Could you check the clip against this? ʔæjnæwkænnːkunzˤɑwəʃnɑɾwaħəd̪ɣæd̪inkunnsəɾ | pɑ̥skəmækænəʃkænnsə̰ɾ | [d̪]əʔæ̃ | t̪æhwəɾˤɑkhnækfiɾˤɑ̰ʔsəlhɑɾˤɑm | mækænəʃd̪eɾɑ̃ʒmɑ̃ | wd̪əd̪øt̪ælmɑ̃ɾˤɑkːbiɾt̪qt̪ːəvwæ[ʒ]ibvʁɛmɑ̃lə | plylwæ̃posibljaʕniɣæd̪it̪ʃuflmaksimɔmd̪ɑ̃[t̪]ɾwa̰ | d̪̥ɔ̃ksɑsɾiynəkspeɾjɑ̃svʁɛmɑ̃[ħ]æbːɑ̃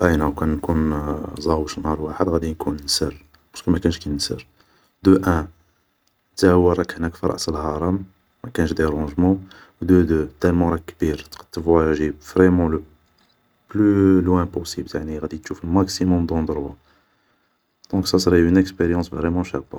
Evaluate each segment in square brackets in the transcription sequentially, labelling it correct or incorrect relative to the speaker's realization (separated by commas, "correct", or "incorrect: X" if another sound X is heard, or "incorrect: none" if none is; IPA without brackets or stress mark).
correct, correct, incorrect: d̪, incorrect: ʃ